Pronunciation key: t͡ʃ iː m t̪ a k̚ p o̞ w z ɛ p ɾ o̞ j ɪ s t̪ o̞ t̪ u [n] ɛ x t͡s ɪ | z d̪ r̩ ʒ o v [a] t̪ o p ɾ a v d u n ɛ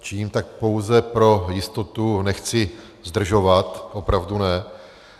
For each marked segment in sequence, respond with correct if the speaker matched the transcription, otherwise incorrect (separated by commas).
correct, correct